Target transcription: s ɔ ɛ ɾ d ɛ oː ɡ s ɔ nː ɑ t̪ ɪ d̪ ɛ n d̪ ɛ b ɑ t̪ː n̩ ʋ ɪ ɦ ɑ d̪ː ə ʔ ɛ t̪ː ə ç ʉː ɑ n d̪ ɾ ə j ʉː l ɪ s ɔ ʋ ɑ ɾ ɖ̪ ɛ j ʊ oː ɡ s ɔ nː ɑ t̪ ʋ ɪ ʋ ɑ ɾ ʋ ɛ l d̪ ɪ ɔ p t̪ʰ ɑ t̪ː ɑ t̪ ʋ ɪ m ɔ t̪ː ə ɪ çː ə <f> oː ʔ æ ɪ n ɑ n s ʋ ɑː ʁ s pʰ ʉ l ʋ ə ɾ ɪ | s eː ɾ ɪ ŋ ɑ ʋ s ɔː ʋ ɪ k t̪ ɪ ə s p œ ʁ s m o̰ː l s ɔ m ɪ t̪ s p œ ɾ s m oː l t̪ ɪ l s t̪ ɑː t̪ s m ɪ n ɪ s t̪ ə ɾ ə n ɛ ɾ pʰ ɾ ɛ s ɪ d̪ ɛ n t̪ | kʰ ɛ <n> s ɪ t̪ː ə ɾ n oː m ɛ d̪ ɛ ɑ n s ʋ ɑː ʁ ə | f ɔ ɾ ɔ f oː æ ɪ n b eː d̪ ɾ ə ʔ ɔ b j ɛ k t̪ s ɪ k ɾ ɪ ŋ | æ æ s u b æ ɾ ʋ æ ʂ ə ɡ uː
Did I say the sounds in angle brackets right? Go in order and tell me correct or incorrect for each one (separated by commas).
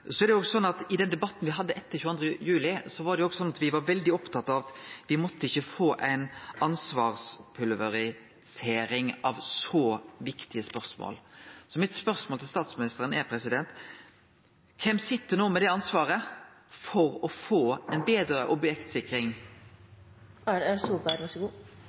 correct, incorrect